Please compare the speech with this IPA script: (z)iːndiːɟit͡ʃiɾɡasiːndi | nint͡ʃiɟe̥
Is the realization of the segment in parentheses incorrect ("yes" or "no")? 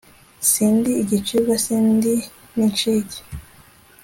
yes